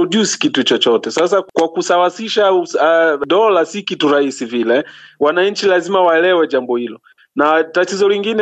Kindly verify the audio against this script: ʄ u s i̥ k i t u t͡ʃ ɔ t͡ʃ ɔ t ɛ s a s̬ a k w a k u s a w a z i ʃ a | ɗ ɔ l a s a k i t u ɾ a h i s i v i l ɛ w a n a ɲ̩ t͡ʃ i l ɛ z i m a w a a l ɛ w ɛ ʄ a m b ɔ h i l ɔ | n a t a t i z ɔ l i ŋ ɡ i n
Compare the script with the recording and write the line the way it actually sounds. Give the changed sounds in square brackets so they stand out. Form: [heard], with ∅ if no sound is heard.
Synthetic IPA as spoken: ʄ u s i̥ k i t u t͡ʃ ɔ t͡ʃ ɔ t ɛ s a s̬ a k w a k u s a w a [s] i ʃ a | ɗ ɔ l a s [i] k i t u ɾ a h i s i v i l ɛ w a n a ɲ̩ t͡ʃ i l [a] z i m a w a [ɛ] l ɛ w ɛ ʄ a m b ɔ h i l ɔ | n a t a t i z ɔ l i ŋ ɡ i n